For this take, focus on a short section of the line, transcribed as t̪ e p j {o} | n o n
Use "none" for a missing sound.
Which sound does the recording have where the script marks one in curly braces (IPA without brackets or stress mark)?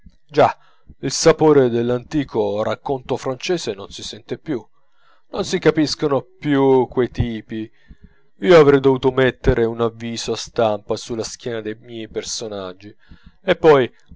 u